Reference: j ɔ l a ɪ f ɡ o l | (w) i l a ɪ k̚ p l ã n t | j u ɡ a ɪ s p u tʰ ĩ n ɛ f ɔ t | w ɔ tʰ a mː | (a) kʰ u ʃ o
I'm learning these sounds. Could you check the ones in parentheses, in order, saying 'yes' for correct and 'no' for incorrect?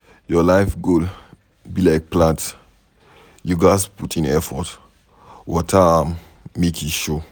no, no

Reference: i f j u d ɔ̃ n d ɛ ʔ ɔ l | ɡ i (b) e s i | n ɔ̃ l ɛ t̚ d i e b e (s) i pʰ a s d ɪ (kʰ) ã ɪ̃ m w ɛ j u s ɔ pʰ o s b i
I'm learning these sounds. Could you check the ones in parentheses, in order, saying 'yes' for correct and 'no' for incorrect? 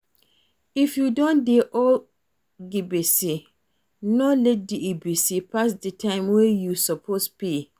yes, yes, no

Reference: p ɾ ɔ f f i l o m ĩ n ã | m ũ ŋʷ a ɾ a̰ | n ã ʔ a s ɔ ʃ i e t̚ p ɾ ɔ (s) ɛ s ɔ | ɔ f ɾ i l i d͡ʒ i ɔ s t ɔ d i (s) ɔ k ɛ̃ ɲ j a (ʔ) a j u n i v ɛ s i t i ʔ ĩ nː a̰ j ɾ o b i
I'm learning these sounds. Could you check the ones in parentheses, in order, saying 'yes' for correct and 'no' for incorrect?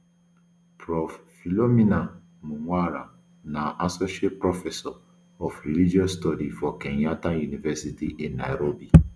no, no, no

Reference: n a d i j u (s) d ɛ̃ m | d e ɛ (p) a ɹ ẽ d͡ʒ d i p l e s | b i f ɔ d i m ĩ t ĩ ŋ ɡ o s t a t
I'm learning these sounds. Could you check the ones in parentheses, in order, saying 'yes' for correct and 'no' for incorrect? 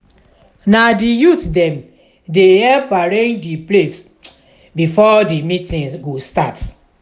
no, yes

